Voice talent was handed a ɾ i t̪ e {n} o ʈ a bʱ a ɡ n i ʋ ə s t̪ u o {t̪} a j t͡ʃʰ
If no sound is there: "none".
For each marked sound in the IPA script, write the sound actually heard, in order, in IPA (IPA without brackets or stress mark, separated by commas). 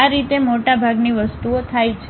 m, t̪ʰ